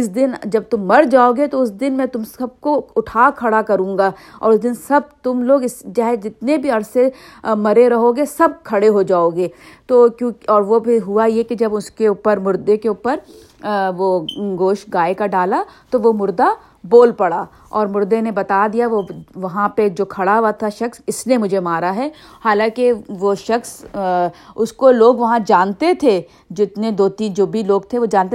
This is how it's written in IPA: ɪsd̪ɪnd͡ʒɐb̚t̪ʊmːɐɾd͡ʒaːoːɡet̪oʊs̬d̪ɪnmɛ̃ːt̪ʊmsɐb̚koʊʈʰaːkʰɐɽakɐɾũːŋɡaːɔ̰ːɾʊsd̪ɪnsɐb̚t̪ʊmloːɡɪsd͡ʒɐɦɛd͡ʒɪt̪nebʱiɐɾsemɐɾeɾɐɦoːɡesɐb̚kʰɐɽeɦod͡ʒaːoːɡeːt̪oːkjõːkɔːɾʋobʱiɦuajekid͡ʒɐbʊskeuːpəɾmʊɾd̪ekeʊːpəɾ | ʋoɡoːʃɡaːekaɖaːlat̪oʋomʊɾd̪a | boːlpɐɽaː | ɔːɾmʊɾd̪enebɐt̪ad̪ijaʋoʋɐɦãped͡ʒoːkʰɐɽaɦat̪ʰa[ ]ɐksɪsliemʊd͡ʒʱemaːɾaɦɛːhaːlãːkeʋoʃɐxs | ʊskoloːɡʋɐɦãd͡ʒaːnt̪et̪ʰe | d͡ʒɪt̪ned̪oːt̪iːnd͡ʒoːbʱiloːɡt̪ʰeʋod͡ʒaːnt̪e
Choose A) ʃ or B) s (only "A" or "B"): A